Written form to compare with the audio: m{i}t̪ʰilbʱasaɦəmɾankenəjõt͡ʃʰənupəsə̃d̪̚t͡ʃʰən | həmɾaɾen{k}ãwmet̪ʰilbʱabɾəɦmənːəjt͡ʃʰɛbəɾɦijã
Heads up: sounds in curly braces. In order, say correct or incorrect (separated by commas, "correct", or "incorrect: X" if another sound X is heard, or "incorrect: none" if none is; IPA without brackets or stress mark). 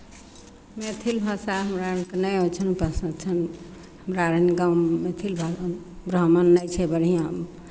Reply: incorrect: e, incorrect: ɡ